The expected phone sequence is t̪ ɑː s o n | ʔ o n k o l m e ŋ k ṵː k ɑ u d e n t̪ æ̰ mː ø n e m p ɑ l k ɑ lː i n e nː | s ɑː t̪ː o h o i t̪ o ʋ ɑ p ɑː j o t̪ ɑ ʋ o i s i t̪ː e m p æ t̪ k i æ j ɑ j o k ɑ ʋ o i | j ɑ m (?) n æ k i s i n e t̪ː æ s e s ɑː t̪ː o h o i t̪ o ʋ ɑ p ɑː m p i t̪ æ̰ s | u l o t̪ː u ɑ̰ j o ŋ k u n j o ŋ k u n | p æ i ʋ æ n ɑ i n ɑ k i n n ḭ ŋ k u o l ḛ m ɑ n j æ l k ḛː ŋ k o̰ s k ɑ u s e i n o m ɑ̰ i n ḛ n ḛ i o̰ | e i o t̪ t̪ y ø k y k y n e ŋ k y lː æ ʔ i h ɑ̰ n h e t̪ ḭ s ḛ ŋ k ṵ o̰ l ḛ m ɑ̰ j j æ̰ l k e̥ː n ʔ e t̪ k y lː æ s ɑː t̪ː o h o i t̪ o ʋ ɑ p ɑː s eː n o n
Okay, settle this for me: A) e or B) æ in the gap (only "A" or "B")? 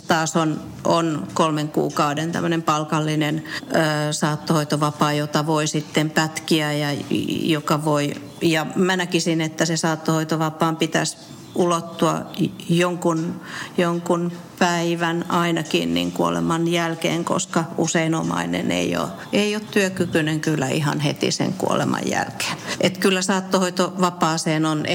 B